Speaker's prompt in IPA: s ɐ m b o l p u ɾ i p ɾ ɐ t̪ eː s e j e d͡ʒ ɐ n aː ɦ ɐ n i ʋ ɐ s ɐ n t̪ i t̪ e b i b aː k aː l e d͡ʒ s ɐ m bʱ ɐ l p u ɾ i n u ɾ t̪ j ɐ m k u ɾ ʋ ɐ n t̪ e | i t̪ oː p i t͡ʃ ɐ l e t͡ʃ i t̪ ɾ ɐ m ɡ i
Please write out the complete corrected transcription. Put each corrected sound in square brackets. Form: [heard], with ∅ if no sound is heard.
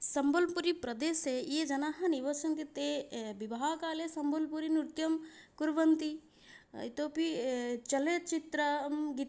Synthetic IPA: s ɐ m b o l p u ɾ i p ɾ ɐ [d̪] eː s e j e d͡ʒ ɐ n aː ɦ ɐ n i ʋ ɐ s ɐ n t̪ i t̪ e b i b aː k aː l e [∅] s ɐ m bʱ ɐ l p u ɾ i n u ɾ t̪ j ɐ m k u ɾ ʋ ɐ n t̪ [i] | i t̪ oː p i t͡ʃ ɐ l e t͡ʃ i t̪ ɾ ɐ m ɡ i